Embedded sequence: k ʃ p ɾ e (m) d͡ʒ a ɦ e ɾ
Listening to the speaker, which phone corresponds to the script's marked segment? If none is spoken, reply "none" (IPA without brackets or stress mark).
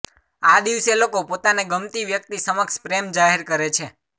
m